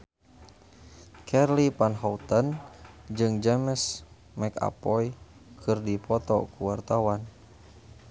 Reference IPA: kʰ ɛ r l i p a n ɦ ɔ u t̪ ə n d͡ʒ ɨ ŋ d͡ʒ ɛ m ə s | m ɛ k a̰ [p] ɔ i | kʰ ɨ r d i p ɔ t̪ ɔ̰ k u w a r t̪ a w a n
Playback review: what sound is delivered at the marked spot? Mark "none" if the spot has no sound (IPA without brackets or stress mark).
p